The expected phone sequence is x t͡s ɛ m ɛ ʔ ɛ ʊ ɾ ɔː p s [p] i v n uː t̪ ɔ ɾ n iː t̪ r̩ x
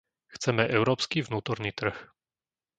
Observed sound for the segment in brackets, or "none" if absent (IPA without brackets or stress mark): k